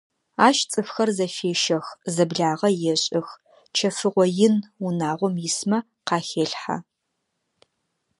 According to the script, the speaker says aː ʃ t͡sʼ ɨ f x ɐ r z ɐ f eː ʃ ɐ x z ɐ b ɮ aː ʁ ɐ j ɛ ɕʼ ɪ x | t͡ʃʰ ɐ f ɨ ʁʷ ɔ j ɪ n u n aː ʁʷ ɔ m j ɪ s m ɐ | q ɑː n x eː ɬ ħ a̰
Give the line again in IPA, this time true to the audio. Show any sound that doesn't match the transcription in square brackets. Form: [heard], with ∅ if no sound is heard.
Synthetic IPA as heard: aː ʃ t͡sʼ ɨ f x ɐ r z ɐ f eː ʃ ɐ x z ɐ b ɮ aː ʁ ɐ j ɛ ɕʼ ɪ x | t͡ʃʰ ɐ f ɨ ʁʷ ɔ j ɪ n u n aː ʁʷ ɔ m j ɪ s m ɐ | q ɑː [∅] x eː ɬ ħ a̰